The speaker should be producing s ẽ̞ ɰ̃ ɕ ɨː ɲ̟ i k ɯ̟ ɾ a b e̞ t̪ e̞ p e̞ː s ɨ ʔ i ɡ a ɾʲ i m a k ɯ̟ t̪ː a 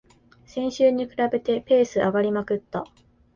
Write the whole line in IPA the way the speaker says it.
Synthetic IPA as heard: s ẽ̞ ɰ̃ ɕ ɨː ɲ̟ i k ɯ̟ ɾ a b e̞ t̪ e̞ p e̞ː s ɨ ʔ a ɡ a ɾʲ i m a k ɯ̟ t̪ː a